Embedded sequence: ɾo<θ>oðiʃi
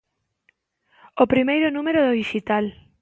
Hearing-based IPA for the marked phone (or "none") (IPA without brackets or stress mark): ð